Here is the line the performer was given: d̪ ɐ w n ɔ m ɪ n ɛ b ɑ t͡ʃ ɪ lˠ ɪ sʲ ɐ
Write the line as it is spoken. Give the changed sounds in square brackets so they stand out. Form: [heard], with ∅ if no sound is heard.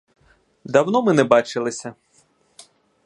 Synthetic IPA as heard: d̪ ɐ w n ɔ m ɪ n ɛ b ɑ t͡ʃ ɪ lˠ ɪ sʲ ɐ